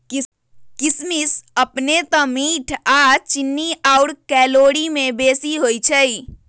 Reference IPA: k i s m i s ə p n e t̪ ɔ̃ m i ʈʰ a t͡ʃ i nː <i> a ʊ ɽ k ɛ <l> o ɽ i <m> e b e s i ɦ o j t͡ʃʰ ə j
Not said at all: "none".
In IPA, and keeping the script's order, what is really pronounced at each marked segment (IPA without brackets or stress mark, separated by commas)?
i, l, m